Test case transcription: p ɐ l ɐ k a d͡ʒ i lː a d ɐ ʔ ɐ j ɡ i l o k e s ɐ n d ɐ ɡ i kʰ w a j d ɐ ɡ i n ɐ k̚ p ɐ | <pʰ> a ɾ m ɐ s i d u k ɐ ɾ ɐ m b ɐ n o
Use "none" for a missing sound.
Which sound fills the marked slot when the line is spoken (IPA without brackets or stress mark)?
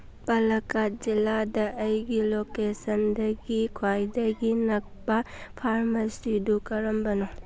pʰ